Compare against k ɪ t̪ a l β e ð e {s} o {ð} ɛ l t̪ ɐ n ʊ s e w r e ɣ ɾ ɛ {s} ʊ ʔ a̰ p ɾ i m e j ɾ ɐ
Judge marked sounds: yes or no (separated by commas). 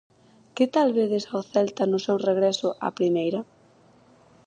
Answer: yes, no, yes